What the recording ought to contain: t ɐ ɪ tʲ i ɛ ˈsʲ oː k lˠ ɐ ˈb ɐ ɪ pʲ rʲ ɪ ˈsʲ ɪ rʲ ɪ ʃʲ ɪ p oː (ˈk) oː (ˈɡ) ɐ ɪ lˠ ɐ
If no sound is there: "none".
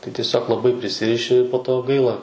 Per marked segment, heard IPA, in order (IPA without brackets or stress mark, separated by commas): t, ɡ